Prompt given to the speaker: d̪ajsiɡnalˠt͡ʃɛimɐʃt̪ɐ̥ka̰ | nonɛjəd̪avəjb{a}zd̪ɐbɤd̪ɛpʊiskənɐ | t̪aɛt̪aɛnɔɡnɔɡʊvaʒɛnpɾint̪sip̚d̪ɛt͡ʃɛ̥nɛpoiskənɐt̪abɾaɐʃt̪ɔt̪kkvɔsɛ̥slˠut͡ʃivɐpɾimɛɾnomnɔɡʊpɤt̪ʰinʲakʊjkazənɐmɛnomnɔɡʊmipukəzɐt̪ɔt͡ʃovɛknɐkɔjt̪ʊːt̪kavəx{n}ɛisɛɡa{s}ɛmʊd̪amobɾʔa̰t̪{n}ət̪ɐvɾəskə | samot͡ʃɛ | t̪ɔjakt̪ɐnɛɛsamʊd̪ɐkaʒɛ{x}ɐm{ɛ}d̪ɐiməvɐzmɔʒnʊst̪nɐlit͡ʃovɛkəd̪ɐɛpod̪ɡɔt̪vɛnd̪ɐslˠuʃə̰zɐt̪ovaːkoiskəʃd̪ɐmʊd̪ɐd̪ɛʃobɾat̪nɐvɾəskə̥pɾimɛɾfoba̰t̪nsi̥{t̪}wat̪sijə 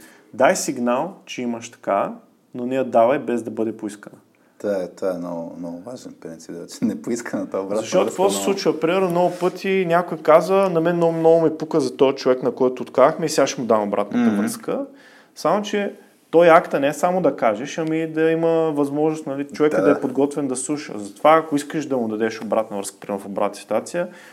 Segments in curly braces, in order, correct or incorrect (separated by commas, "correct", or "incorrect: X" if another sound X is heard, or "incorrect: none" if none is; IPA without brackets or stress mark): incorrect: ɛ, incorrect: m, incorrect: ʃ, correct, incorrect: ʃ, incorrect: i, correct